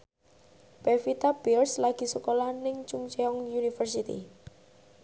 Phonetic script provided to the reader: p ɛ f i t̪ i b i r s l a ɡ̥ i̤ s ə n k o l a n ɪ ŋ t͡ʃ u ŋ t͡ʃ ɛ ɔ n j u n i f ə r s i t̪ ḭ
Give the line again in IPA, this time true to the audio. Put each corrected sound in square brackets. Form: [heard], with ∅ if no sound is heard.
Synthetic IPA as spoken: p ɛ f i t̪ [a] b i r s l a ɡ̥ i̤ s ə [∅] k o l a n ɪ ŋ t͡ʃ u ŋ t͡ʃ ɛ ɔ [ŋ] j u n i f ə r s i t̪ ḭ